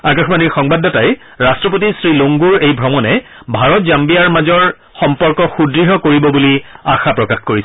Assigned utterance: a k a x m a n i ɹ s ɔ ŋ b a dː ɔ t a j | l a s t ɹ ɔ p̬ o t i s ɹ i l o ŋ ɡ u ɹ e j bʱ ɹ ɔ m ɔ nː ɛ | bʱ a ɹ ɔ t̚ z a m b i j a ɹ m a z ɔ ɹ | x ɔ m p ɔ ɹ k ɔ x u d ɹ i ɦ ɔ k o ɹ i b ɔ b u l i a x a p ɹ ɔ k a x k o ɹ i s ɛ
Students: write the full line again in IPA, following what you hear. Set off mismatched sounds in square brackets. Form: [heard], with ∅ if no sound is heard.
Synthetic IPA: a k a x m a n i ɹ [x] ɔ ŋ b a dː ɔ t a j | [ɹ] a s t ɹ ɔ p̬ o t i s ɹ i l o ŋ ɡ u ɹ e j bʱ ɹ ɔ m ɔ [n] ɛ | bʱ a ɹ ɔ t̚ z a m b i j a ɹ m a z ɔ ɹ | x ɔ m p ɔ ɹ k ɔ x u d ɹ i ɦ ɔ k o ɹ i b ɔ b u l i a x a p ɹ ɔ k a x k o ɹ i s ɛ